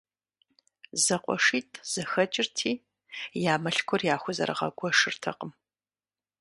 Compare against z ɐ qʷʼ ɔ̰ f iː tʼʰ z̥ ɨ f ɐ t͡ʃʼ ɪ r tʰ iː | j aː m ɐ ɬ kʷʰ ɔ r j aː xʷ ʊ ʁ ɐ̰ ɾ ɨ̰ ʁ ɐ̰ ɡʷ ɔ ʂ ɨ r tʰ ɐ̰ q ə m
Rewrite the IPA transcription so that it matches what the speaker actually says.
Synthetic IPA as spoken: z ɐ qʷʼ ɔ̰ ʂ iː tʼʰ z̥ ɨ x ɐ t͡ʃʼ ɪ r tʰ iː | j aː m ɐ ɬ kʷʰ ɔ r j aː xʷ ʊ z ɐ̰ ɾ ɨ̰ ʁ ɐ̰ ɡʷ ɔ ʂ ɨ r tʰ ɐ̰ q ə m

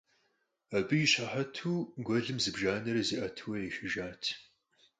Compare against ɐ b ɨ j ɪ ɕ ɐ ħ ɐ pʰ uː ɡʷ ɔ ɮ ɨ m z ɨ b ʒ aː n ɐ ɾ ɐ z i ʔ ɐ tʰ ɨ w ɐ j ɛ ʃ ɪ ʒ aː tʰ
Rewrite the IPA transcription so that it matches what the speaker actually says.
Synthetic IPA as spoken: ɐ b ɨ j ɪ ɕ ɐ ħ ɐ tʰ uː ɡʷ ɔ ɮ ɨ m z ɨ b ʒ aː n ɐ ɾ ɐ z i ʔ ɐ tʰ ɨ w ɐ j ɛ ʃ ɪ ʒ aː tʰ

